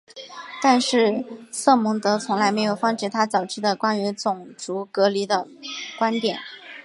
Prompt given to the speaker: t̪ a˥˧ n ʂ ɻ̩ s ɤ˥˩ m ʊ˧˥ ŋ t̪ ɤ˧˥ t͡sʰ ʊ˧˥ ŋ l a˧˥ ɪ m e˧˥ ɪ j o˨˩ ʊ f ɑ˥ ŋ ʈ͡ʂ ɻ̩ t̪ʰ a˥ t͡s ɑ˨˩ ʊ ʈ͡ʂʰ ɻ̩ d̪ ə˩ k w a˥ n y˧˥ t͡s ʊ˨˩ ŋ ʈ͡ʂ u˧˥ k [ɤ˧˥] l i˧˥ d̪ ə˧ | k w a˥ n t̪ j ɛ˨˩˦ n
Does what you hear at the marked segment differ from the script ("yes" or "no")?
no